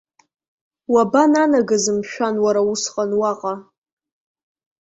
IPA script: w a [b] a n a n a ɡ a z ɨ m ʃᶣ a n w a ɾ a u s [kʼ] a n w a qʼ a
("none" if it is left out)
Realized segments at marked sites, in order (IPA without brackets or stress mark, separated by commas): b, qʼ